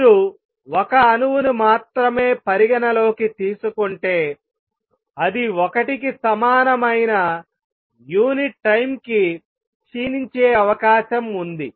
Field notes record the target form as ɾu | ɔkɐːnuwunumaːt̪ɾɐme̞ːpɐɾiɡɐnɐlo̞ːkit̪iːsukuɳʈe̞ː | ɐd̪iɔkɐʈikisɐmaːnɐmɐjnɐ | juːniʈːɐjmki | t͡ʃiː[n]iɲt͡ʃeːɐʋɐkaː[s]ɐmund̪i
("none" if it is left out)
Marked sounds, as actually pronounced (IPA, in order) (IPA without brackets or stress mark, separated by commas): n, ʃ